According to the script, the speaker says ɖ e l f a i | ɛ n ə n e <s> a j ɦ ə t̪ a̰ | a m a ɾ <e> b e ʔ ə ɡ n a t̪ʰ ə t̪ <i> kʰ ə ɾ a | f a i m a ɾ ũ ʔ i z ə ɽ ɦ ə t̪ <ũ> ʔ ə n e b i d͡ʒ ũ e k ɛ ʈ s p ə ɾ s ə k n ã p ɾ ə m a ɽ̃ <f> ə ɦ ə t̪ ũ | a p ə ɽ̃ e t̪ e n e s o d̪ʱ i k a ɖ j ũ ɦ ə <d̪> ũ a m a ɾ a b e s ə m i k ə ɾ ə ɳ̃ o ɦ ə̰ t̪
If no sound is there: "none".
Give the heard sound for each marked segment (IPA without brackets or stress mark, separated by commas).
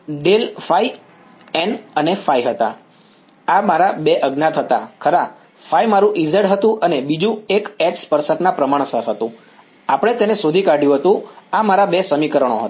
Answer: f, a, a, ũ, s, t̪